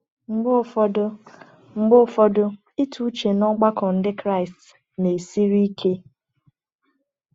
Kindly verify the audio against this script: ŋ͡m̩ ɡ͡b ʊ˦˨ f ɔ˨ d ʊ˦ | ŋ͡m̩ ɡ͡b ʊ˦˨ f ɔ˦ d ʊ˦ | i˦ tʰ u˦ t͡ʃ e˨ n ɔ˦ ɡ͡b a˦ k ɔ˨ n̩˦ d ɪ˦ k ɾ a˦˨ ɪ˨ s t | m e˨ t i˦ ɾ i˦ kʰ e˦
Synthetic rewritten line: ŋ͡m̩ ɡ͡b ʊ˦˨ f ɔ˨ d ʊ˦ | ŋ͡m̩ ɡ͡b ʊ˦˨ f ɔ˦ d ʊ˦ | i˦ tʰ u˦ t͡ʃ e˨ n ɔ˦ ɡ͡b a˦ k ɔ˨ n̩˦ d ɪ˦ k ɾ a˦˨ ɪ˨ s t | n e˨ s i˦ ɾ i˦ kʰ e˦